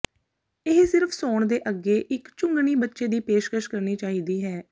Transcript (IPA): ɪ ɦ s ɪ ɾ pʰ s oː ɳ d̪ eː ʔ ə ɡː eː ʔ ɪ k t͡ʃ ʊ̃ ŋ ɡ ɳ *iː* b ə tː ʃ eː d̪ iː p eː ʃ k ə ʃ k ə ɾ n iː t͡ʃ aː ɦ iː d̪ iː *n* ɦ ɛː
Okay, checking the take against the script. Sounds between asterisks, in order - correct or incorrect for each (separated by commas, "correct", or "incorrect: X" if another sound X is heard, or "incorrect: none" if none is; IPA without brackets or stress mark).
correct, incorrect: none